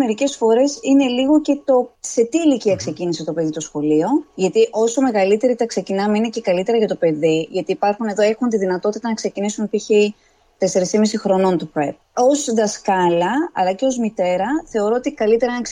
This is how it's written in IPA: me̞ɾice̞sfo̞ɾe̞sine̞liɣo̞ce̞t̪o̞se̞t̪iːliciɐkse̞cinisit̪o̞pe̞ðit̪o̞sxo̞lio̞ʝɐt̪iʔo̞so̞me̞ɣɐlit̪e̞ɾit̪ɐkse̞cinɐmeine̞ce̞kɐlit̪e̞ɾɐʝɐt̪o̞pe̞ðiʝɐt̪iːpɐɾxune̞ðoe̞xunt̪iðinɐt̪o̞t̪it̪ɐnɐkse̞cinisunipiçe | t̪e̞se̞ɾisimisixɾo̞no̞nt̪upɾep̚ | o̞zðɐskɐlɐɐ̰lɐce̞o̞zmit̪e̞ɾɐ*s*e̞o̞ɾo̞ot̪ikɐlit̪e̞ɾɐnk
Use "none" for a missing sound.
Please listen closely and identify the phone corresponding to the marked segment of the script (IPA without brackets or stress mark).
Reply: θ